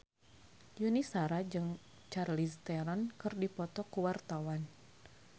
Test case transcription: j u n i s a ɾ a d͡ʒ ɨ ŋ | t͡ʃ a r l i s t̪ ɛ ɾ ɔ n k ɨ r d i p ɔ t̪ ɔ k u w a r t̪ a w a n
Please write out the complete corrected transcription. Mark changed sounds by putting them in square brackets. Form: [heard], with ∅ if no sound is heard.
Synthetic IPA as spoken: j u n i s a ɾ a d͡ʒ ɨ ŋ | t͡ʃ a r l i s t̪ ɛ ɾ ɔ n k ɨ r d i p ɔ t̪ ɔ k u w a r t̪ a w a n